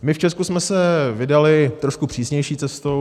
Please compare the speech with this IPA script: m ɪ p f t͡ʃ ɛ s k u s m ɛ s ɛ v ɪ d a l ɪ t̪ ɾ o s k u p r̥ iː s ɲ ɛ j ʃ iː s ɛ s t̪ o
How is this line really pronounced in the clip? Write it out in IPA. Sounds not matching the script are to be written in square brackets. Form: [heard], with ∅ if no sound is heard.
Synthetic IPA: m ɪ [∅] f t͡ʃ ɛ s k u s m ɛ s ɛ v ɪ d a l ɪ t̪ ɾ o [ʃ] k u p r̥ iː s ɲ ɛ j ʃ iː [t͡s] ɛ s t̪ o